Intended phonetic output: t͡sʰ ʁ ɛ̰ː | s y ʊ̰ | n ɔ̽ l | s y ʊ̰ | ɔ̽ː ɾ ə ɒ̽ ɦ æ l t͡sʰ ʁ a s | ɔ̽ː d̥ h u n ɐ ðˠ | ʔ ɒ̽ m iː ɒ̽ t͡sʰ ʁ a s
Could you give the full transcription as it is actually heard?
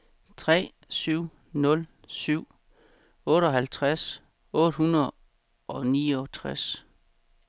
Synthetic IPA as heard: t͡sʰ ʁ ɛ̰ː | s y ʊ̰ | n ɔ̽ l | s y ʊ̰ | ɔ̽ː ɾ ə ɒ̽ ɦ æ l t͡sʰ ʁ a s | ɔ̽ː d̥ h u n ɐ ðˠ | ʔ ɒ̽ n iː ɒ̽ t͡sʰ ʁ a s